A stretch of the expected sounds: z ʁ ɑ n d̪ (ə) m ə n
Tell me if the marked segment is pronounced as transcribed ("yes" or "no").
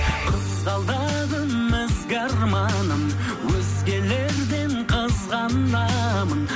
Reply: no